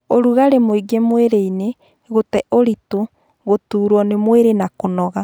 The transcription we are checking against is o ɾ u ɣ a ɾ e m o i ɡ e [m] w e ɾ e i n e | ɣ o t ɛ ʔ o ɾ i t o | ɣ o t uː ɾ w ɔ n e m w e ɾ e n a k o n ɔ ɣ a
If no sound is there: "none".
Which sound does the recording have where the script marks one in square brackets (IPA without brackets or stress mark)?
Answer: m